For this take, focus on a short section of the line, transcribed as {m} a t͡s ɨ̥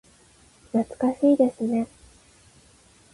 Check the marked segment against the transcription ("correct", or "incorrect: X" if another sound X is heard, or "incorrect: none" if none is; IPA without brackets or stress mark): incorrect: n